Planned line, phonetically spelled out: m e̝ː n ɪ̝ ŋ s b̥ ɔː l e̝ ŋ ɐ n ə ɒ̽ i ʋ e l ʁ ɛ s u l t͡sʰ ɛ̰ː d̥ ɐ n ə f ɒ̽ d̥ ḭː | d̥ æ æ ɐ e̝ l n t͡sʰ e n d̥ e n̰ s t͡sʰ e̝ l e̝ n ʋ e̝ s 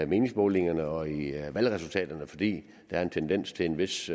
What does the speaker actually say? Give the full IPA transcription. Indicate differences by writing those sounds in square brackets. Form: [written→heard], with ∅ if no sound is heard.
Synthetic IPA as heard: m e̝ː n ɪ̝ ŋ s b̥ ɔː l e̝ ŋ ɐ n ə ɒ̽ i ʋ [e→æ] l ʁ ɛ s u l t͡sʰ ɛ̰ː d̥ ɐ n ə f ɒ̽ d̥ ḭː | d̥ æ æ ɐ e̝ [l→∅] n t͡sʰ e n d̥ e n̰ s t͡sʰ e̝ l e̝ n ʋ e̝ s

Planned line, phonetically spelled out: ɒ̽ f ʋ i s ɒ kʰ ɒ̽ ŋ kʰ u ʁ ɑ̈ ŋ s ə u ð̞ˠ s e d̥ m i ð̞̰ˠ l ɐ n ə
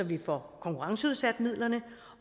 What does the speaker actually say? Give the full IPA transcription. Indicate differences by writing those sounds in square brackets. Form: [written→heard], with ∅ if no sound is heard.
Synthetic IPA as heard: ɒ̽ [f→∅] ʋ i [s→f] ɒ kʰ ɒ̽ ŋ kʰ u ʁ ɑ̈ ŋ s ə u ð̞ˠ s [e→æ] d̥ m i ð̞̰ˠ l ɐ n ə

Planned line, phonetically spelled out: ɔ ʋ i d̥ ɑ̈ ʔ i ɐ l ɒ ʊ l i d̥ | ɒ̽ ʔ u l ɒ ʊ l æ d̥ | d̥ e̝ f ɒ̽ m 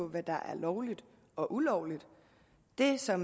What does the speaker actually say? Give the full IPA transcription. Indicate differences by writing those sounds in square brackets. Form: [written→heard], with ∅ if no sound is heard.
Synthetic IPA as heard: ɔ ʋ [i→æ] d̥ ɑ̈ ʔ [i→æ] ɐ l ɒ ʊ l i d̥ | ɒ̽ ʔ u l ɒ ʊ l [æ→i] d̥ | d̥ e̝ [f→s] ɒ̽ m

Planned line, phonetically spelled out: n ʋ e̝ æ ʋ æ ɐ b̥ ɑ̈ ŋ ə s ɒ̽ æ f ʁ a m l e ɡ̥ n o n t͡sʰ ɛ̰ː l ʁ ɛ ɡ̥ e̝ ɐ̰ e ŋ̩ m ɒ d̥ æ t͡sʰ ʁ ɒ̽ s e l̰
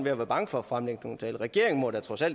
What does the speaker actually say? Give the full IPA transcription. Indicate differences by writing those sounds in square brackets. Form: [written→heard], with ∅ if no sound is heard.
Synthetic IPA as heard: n ʋ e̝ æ ʋ æ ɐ b̥ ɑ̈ ŋ ə [s→f] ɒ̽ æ f ʁ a m l e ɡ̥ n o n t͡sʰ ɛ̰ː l ʁ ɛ ɡ̥ e̝ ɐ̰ e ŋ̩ m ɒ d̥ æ t͡sʰ ʁ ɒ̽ s [e→æ] l̰

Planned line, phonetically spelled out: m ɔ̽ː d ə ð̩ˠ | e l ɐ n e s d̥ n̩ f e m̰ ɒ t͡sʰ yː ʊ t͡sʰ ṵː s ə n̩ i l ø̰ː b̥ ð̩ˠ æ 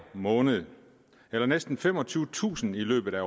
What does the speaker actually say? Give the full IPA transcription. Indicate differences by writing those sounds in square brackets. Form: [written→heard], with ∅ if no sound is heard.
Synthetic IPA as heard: m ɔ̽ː [d→n] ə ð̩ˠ | e l ɐ n e s d̥ n̩ f e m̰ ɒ t͡sʰ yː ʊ t͡sʰ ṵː s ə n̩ i l ø̰ː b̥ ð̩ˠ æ

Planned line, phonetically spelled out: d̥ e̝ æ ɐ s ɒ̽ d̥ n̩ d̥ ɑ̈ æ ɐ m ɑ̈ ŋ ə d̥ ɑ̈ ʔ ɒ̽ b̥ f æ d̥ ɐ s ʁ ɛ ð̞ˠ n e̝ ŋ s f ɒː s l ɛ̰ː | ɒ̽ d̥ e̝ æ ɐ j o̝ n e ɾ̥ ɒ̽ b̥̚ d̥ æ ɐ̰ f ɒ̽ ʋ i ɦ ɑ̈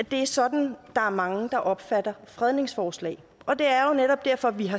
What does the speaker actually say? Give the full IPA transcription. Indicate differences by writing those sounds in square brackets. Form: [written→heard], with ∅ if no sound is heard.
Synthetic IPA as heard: d̥ e̝ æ ɐ s ɒ̽ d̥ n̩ d̥ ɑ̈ æ ɐ m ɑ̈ ŋ ə d̥ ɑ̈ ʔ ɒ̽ b̥ f æ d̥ ɐ [s→f] ʁ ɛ ð̞ˠ n e̝ ŋ s f ɒː s l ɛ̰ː | ɒ̽ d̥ e̝ æ ɐ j o̝ n e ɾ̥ ɒ̽ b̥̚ d̥ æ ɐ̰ f ɒ̽ ʋ i ɦ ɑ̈

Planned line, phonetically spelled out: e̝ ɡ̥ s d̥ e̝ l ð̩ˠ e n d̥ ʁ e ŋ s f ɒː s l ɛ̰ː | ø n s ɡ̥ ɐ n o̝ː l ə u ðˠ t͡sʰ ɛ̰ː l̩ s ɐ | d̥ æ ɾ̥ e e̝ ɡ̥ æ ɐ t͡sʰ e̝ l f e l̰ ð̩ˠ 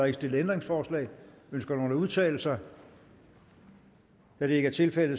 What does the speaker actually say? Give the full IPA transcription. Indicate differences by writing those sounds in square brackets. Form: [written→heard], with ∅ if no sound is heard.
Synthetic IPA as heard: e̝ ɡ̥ s d̥ e̝ l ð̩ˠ e n d̥ ʁ e ŋ s f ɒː s l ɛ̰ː | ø n s ɡ̥ ɐ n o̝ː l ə u ðˠ t͡sʰ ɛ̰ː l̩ s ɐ | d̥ æ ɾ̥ e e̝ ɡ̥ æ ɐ t͡sʰ e̝ l f e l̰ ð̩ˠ

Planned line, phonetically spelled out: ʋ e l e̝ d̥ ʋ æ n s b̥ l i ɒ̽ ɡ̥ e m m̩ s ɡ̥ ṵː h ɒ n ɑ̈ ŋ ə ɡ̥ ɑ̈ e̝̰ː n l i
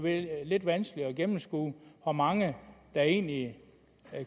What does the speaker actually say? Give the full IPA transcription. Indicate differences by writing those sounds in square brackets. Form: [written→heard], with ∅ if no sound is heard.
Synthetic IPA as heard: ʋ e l e̝ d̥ ʋ æ n s [b̥→ɡ̥] l i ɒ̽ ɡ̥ e m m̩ s ɡ̥ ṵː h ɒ [n→m] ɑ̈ ŋ ə [ɡ̥→d̥] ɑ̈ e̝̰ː n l i

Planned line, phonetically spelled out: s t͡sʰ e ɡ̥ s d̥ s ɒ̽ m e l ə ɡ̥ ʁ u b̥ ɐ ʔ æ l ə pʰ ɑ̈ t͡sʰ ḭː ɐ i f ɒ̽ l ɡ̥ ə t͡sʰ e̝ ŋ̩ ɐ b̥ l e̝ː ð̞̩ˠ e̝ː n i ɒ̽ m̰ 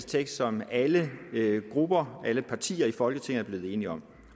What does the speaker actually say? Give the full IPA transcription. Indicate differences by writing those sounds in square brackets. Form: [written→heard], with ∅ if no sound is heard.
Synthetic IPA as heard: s t͡sʰ e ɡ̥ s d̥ s ɒ̽ m [e→æ] l ə ɡ̥ ʁ u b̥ ɐ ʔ æ l ə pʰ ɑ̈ t͡sʰ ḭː ɐ i f ɒ̽ l ɡ̥ ə t͡sʰ e̝ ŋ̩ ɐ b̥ l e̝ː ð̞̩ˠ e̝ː n i ɒ̽ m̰

